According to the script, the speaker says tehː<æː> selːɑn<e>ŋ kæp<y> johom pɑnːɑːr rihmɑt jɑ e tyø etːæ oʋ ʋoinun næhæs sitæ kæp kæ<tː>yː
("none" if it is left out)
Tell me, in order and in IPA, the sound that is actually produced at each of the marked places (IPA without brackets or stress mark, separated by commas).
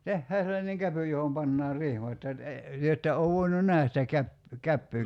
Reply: æː, e, y, pː